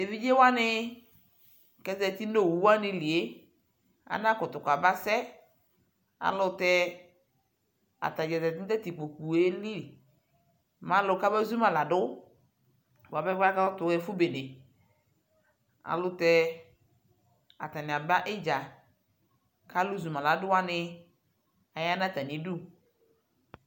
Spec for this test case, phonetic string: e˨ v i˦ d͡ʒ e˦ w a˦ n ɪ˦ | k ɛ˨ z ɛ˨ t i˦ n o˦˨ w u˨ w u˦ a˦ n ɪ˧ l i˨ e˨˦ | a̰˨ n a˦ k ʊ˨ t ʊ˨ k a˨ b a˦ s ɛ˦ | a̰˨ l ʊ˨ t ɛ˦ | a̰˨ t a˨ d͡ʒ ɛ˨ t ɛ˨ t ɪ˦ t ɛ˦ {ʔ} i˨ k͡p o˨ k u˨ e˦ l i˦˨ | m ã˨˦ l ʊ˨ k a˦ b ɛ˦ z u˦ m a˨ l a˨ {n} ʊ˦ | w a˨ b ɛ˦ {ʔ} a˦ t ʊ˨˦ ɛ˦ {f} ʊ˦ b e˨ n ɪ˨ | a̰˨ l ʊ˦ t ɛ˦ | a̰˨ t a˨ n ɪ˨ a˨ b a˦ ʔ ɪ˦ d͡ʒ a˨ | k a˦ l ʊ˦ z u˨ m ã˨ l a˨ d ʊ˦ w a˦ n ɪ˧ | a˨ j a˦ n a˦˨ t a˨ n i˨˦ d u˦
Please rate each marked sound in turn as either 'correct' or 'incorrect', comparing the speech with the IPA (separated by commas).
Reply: incorrect, incorrect, incorrect, correct